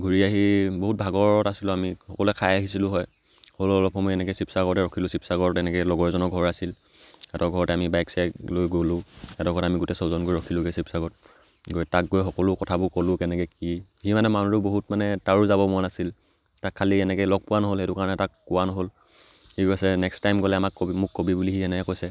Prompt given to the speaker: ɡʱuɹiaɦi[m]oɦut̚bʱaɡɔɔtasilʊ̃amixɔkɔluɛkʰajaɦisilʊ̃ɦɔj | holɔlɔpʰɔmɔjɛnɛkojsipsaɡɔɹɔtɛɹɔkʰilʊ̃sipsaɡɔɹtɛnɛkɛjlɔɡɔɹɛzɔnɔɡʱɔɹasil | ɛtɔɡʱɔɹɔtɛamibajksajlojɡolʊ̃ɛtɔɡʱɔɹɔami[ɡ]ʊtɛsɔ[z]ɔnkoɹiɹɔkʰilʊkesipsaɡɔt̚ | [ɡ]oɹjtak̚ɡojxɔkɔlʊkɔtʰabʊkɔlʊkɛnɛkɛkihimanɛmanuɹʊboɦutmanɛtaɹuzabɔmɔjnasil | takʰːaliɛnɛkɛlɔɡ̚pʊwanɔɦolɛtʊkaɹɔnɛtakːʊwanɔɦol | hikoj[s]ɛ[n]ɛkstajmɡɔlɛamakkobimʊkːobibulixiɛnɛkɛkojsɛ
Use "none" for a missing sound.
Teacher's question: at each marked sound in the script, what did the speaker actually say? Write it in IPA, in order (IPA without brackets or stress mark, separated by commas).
b, ɡ, z, ɡ, s, n